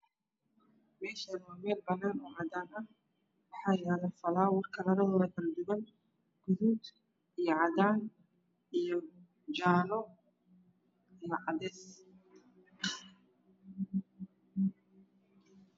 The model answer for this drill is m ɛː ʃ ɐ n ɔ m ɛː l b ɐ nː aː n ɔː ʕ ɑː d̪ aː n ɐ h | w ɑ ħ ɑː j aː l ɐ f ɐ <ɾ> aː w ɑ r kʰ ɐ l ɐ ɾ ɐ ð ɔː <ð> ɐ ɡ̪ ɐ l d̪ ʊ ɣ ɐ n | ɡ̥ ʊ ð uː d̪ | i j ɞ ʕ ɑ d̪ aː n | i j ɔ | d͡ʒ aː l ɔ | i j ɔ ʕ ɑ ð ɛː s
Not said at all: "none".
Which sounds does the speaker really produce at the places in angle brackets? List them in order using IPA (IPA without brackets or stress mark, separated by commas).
l, ð